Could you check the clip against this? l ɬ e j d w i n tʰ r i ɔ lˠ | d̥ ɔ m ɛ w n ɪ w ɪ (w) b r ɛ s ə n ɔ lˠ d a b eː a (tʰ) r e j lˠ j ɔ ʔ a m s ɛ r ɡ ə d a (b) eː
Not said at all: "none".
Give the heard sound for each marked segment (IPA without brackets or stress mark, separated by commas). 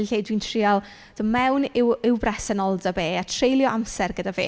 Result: w, tʰ, v